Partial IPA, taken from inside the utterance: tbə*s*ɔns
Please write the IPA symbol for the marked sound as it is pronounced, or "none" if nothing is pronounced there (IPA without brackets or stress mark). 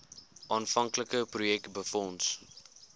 f